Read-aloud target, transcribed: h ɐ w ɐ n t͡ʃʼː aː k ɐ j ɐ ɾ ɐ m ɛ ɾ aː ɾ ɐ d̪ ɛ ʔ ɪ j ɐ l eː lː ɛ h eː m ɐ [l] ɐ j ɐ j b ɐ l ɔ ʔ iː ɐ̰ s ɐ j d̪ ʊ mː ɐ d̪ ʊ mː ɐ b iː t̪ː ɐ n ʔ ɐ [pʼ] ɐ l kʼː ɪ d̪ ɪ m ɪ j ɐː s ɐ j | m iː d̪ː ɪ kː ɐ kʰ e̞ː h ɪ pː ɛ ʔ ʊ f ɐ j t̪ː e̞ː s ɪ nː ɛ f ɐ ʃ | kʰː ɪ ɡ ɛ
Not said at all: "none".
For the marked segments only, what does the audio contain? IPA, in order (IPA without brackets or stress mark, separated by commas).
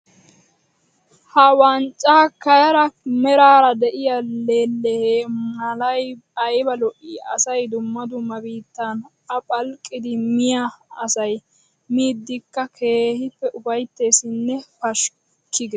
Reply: l, pʼ